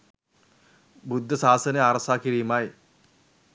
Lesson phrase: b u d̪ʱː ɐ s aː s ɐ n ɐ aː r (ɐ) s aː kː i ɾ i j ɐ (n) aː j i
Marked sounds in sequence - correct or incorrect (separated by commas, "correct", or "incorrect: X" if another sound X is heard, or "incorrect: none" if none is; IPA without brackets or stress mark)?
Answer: correct, incorrect: m